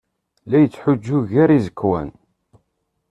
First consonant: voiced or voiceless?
voiced